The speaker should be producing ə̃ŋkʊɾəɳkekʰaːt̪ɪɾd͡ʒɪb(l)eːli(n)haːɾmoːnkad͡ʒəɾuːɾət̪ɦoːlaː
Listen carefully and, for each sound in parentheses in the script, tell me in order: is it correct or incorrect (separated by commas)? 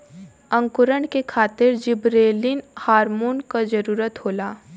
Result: incorrect, correct